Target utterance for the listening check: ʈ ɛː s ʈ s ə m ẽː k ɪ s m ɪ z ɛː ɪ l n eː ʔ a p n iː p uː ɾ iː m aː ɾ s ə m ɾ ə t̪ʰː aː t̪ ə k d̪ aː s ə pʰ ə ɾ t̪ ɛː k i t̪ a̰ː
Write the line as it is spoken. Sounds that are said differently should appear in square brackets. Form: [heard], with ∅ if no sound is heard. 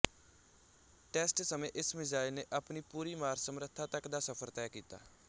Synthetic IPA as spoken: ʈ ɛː s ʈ s ə m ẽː [ʔ] ɪ s m ɪ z [aː] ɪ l n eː ʔ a p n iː p uː ɾ iː m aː ɾ s ə m ɾ ə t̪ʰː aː t̪ ə k d̪ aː s ə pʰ ə ɾ t̪ ɛː k [iː] t̪ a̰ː

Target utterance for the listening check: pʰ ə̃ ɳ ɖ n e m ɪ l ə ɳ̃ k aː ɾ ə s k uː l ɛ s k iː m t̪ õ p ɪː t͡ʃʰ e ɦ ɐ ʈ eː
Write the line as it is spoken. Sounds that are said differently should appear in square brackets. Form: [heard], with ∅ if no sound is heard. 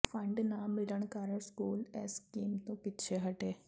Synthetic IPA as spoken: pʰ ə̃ ɳ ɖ n [a] m ɪ l ə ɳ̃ k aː ɾ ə s k uː l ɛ s k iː m t̪ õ p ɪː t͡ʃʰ e ɦ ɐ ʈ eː

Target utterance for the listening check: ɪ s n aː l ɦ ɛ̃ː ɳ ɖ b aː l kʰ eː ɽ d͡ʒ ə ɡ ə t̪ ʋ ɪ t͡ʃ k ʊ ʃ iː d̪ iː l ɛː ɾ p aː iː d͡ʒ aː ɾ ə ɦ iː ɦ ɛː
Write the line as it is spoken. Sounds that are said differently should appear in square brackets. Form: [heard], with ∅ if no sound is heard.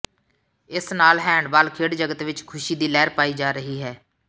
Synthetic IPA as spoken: ɪ s n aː l ɦ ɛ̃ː ɳ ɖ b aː l kʰ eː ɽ d͡ʒ ə ɡ ə t̪ ʋ ɪ t͡ʃ [kʰ] ʊ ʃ iː d̪ iː l ɛː ɾ p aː iː d͡ʒ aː ɾ ə ɦ iː ɦ ɛː

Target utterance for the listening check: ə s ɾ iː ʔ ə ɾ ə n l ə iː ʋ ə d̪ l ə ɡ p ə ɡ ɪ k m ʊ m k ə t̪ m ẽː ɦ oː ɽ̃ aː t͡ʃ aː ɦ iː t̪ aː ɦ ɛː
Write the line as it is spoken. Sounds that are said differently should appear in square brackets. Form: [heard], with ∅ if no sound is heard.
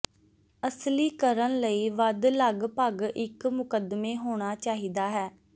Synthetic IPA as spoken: ə s [l] iː [k] ə ɾ ə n l ə iː ʋ ə d̪ l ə ɡ p ə ɡ ɪ k m ʊ [∅] k ə [d̪] m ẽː ɦ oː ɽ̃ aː t͡ʃ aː ɦ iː [d̪] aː ɦ ɛː

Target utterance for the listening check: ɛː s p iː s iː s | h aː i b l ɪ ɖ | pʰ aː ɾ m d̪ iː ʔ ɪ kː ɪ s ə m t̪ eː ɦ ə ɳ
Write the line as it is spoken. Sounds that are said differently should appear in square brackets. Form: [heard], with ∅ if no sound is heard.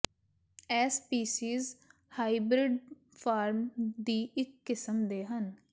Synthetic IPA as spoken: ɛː s p iː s iː [z] | h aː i b [ɾ] ɪ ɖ | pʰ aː ɾ m d̪ iː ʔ ɪ kː ɪ s ə m [d̪] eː ɦ ə [n]

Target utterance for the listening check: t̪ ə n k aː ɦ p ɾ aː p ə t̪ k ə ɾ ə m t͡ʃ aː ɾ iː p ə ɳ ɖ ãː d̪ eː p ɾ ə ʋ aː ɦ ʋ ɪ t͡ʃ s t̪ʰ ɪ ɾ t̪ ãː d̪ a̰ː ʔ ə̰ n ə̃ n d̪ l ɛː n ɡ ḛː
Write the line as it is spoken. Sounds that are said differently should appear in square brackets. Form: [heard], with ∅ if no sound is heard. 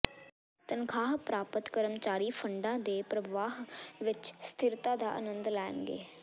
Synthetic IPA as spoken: t̪ ə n [kʰ] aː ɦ p ɾ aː p ə t̪ k ə ɾ ə m t͡ʃ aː ɾ iː [pʰ] ə ɳ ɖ ãː d̪ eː p ɾ ə ʋ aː ɦ ʋ ɪ t͡ʃ s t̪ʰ ɪ ɾ t̪ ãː d̪ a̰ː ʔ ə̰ n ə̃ n d̪ l ɛː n ɡ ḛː

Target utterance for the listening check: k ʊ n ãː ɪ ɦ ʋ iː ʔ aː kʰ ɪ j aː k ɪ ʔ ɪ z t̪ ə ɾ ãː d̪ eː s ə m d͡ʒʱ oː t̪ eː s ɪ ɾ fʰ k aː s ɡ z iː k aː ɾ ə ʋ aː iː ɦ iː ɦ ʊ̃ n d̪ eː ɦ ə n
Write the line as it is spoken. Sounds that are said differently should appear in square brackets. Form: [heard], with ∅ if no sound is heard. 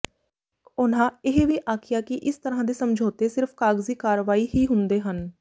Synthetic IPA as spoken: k ʊ n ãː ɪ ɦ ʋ iː ʔ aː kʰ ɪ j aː k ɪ ʔ ɪ [s] t̪ ə ɾ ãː d̪ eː s ə m d͡ʒʱ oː t̪ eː s ɪ ɾ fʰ k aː [∅] ɡ z iː k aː ɾ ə ʋ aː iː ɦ iː ɦ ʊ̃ n d̪ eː ɦ ə n

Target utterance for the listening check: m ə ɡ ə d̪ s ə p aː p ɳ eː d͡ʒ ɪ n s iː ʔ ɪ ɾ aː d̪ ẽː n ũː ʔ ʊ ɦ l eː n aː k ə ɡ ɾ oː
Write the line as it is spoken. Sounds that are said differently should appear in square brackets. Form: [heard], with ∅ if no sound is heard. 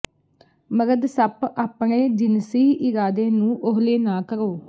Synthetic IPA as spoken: m ə ɡ ə d̪ s ə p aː p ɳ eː d͡ʒ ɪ n s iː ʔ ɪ ɾ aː d̪ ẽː n ũː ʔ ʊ ɦ l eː n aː k ə [∅] ɾ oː

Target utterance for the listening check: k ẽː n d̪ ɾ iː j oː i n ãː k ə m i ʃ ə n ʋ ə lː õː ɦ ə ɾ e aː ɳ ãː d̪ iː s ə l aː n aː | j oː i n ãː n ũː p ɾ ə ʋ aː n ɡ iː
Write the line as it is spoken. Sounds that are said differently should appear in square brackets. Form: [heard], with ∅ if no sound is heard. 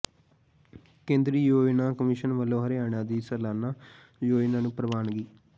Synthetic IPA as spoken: k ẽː n d̪ ɾ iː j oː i n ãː k ə m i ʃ ə n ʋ ə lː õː ɦ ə ɾ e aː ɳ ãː d̪ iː s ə l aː n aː | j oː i n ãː n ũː p ɾ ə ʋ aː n ɡ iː

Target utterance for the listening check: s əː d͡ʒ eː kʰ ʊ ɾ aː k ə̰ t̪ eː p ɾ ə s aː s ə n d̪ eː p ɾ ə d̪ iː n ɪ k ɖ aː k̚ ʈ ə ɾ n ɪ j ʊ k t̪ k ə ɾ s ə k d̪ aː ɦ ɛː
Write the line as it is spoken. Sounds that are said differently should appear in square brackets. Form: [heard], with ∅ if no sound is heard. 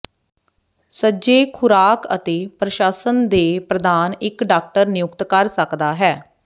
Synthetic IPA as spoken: s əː d͡ʒ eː kʰ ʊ ɾ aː k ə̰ t̪ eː p ɾ ə [ʃ] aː s ə n d̪ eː p ɾ ə d̪ [aː] n ɪ k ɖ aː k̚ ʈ ə ɾ n ɪ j ʊ k t̪ k ə ɾ s ə k d̪ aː ɦ ɛː

